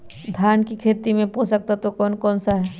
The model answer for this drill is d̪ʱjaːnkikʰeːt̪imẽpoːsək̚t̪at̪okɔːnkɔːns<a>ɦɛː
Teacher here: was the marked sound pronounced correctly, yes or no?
yes